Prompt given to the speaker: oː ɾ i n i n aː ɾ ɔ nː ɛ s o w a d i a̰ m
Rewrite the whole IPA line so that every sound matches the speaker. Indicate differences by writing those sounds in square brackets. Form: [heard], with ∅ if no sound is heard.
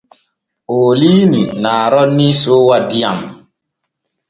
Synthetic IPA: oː [l] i n i n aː ɾ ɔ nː [i] s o w a d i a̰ m